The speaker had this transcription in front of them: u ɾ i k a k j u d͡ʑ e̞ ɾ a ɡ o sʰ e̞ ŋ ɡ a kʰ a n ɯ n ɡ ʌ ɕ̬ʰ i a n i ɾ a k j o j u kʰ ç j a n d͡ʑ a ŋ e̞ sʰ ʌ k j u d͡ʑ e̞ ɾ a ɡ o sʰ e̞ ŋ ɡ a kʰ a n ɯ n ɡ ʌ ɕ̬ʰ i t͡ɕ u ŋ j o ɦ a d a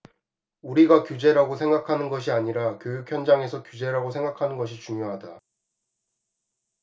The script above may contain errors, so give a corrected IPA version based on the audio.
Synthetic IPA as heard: u ɾ i ɡ a k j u d͡ʑ e̞ ɾ a ɡ o sʰ e̞ ŋ ɡ a kʰ a n ɯ n ɡ ʌ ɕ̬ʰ i a ɲ i ɾ a k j o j u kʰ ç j ʌ n d͡ʑ a ŋ e̞ sʰ ʌ k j u d͡ʑ e̞ ɾ a ɡ o sʰ e̞ ŋ ɡ a kʰ a n ɯ n ɡ ʌ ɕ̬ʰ i t͡ɕ u ŋ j o ɦ a d a